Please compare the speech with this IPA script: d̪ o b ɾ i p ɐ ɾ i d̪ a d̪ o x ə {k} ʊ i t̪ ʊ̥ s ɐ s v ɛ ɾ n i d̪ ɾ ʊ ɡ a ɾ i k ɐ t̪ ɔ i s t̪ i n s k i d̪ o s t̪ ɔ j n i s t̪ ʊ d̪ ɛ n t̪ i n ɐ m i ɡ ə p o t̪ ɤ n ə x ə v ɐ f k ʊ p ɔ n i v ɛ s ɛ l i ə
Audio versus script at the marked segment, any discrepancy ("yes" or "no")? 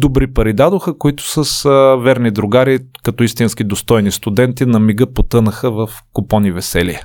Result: no